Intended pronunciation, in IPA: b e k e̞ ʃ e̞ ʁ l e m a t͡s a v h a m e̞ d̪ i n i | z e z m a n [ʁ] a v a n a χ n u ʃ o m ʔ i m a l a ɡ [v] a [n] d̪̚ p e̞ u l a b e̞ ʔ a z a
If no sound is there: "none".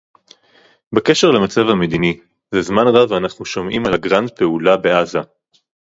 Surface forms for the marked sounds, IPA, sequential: ʁ, ʁ, n

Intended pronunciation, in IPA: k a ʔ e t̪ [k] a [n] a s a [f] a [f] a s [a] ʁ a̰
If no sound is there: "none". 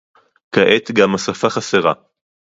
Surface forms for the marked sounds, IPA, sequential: ɡ, m, f, χ, e

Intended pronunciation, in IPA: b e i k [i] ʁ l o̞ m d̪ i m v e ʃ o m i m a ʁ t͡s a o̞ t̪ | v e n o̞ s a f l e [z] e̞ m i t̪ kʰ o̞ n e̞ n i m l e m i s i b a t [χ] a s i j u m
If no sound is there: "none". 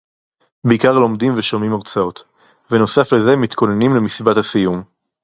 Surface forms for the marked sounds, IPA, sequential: a, z, h

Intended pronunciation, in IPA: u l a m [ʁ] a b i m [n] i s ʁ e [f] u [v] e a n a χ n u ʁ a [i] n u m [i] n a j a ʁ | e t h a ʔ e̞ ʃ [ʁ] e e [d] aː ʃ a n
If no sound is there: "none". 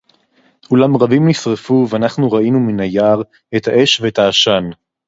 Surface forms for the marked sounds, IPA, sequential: ʁ, n, f, v, i, i, v, t

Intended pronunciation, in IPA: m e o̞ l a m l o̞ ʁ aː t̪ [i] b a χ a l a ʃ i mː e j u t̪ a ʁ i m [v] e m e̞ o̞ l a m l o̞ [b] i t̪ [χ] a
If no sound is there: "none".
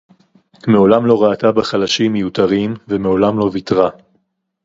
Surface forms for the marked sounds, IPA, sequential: a, v, v, ʁ

